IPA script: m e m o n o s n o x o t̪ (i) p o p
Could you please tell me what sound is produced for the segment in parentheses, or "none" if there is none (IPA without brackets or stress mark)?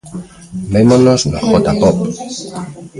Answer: a